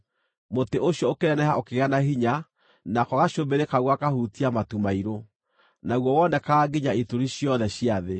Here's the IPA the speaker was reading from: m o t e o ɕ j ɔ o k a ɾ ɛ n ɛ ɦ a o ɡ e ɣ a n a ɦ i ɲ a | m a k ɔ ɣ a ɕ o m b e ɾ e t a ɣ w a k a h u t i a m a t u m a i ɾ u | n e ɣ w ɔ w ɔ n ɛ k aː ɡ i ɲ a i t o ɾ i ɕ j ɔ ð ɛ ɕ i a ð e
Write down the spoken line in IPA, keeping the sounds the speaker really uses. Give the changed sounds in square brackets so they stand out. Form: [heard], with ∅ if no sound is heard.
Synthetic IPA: m o t e o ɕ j ɔ o k [e] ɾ ɛ n ɛ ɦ a o [k] e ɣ a n a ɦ i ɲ a | [n] a k ɔ ɣ a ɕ o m b e ɾ e [k] a ɣ w a k a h u t i a m a t u m a i ɾ [o] | n [a] ɣ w ɔ w ɔ n ɛ k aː ɡ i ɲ a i t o ɾ i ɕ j ɔ ð ɛ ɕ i a ð e